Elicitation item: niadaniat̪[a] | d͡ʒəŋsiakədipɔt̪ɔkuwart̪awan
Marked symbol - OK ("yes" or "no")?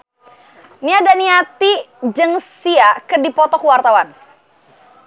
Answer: no